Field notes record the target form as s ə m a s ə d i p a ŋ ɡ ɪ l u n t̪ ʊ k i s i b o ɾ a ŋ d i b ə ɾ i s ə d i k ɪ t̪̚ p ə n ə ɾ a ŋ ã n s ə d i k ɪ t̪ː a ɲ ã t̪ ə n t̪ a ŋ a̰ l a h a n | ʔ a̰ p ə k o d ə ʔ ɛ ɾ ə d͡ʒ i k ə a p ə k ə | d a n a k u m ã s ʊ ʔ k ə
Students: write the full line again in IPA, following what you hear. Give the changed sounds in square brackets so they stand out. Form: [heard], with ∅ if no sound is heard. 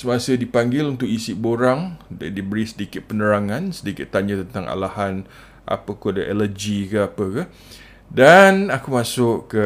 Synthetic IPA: s ə m a s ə d i p a ŋ ɡ ɪ l u n t̪ ʊ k i s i b o ɾ a ŋ d i b ə ɾ i s ə d i k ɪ t̪̚ p ə n ə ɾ a ŋ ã n s ə d i k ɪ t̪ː a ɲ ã t̪ ə n t̪ a ŋ a̰ l a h a n | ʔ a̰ p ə k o d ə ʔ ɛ [l] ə d͡ʒ i k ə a p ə k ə | d a n a k u m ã s ʊ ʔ k ə